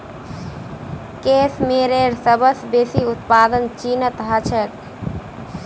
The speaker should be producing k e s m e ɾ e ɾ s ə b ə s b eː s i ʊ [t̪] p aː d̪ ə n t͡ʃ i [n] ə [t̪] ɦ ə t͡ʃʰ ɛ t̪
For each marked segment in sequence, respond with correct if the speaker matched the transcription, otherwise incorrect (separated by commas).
correct, correct, correct